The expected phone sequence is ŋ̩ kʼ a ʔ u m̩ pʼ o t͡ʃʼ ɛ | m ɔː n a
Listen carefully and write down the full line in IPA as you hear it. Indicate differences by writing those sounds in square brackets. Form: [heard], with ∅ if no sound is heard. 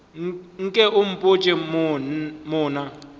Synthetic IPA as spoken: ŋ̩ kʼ [ɛ] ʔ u m̩ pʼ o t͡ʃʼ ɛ | m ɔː n a